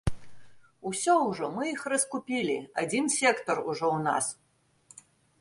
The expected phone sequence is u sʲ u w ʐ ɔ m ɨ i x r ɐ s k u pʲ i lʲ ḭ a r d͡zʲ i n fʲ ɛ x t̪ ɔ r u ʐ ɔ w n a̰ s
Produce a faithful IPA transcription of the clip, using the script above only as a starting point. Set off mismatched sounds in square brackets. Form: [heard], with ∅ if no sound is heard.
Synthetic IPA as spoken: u sʲ [ɔ] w ʐ ɔ m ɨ i x r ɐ s k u pʲ i lʲ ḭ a [∅] d͡zʲ i n [sʲ] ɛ [k] t̪ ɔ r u ʐ ɔ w n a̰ s